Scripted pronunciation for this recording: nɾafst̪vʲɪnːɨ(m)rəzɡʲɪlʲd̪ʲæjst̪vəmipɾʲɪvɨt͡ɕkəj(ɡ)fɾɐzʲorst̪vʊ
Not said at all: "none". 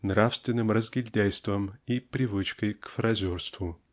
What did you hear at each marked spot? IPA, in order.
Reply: m, k

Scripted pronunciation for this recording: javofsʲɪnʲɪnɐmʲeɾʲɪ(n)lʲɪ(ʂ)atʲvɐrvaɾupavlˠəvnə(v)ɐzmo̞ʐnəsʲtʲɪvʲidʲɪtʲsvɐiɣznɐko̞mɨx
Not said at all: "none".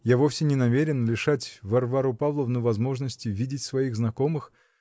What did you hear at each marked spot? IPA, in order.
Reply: n, ʂ, v

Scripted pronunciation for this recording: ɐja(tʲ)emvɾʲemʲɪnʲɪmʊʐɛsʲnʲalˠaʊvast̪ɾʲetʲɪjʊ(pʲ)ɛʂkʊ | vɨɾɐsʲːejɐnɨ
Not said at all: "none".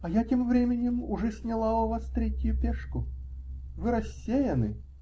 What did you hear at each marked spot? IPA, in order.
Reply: tʲ, pʲ

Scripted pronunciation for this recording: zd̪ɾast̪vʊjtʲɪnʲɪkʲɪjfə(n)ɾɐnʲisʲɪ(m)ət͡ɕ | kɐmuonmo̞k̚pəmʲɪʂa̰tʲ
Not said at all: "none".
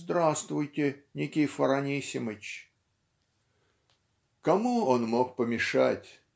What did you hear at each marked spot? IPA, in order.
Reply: none, m

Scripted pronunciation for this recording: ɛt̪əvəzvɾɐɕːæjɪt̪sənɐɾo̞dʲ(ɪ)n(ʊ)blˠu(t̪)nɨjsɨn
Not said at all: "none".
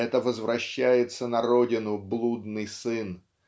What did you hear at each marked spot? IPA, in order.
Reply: ɪ, ʊ, d̪

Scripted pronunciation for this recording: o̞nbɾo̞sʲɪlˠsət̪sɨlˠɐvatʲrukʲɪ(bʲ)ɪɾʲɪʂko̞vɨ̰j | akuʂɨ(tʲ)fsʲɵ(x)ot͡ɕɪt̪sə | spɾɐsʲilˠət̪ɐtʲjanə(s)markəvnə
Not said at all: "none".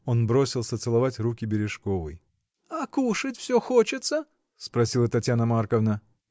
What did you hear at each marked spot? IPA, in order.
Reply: bʲ, tʲ, x, none

